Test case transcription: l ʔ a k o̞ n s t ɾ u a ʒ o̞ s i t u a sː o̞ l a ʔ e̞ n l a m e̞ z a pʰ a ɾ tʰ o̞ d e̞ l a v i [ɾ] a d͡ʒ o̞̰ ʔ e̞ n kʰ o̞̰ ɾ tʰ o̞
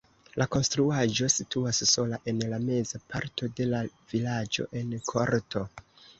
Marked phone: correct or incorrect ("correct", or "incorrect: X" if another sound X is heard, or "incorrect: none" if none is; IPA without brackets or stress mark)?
incorrect: l